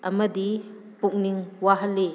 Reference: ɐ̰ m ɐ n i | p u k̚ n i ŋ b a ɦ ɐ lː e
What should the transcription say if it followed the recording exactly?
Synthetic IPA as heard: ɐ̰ m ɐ d i | p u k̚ n i ŋ w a ɦ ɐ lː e

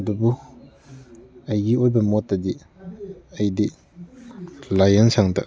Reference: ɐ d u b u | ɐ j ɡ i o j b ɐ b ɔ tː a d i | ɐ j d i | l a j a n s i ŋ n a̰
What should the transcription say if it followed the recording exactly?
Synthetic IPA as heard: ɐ d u b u | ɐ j ɡ i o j b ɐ m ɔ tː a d i | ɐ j d i | l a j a n s a ŋ d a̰

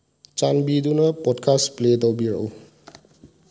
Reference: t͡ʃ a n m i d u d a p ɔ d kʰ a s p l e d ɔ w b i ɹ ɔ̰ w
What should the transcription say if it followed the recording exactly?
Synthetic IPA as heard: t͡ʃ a n b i d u n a p ɔ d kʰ a s p l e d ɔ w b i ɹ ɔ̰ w

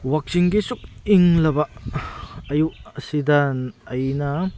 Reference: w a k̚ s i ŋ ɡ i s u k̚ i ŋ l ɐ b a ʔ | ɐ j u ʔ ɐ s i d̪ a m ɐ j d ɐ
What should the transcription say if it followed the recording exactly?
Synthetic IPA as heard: w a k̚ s i ŋ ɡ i s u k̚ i ŋ l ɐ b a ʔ | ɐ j u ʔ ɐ s i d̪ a n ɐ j n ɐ

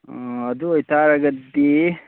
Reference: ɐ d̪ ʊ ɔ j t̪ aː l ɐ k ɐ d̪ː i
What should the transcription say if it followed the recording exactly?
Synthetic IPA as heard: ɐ d̪ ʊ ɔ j t̪ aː ɾ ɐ ɡ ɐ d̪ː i

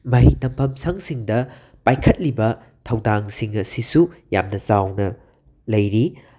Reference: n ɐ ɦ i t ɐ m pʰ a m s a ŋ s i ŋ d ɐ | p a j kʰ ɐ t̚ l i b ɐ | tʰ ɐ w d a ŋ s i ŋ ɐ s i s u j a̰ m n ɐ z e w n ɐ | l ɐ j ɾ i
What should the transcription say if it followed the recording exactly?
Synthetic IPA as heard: m ɐ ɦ i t ɐ m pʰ ɐ m s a ŋ s i ŋ d ɐ | p a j kʰ ɐ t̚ l i b ɐ | tʰ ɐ w d a ŋ s i ŋ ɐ s i s u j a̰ m n ɐ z a w n ɐ | l ɐ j ɾ i

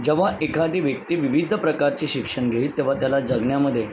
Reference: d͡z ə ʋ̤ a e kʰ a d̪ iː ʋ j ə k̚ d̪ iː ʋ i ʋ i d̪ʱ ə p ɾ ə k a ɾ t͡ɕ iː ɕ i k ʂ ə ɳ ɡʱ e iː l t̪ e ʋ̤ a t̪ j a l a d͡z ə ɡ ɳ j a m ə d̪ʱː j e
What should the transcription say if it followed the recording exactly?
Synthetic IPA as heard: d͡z ə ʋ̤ a e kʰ a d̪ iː ʋ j ə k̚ t̪ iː ʋ i ʋ i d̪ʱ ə p ɾ ə k a ɾ t͡ɕ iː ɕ i k ʂ ə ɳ ɡʱ e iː l t̪ e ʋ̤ a t̪ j a l a d͡z ə ɡ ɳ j a m ə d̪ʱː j e

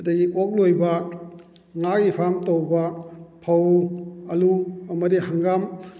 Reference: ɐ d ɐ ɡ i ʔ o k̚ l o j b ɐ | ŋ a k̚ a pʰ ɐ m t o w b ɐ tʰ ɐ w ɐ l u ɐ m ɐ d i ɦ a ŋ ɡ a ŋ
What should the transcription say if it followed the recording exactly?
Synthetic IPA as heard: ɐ d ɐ ɡ i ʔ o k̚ l o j b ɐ | ŋ a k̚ i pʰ a m t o w b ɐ pʰ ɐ w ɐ l u ɐ m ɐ d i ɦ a ŋ ɡ a m

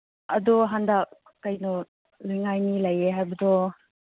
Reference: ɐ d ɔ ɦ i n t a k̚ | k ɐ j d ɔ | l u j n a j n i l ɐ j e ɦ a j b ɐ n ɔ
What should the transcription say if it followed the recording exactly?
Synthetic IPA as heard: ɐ d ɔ ɦ a n d a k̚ | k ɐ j n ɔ | l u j ŋ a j n i l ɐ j e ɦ a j b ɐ d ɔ

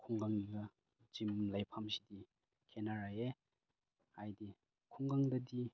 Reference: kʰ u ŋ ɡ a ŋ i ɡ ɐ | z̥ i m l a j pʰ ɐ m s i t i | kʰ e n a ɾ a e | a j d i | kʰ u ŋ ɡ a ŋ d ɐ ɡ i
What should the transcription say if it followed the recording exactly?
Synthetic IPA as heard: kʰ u ŋ ɡ a ŋ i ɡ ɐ | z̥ i m l a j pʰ a m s i d i | kʰ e n a ɾ a e | a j d i | kʰ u ŋ ɡ a ŋ d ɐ d i

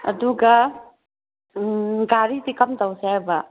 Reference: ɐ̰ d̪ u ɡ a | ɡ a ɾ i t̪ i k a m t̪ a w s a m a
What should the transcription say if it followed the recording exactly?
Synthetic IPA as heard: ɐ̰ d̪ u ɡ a | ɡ a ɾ i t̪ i k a m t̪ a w s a b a

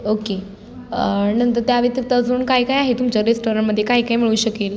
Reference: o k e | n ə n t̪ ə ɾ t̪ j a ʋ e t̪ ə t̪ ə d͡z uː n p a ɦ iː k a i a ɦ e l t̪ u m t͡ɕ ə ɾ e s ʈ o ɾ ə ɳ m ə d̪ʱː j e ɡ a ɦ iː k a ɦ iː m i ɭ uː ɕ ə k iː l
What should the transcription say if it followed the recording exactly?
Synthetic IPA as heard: o k e | n ə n t̪ ə ɾ t̪ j a ʋ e t̪ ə t̪ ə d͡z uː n k a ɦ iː k a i a ɦ e t̪ u m t͡ɕ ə ɾ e s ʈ o ɾ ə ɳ m ə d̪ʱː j e k a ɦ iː k a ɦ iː m i ɭ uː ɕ ə k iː l

